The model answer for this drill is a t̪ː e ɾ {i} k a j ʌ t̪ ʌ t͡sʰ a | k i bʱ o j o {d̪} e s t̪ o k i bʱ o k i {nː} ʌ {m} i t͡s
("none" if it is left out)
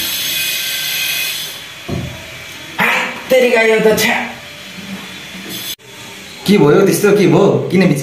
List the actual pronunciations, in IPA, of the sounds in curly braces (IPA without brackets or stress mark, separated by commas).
i, t̪, n, b